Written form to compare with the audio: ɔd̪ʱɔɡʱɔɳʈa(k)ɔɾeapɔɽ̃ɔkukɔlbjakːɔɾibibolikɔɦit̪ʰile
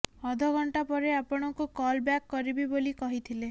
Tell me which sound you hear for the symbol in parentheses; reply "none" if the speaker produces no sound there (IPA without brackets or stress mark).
p